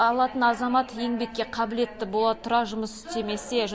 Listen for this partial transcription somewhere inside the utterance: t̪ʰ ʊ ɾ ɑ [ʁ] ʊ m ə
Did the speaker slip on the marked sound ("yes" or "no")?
yes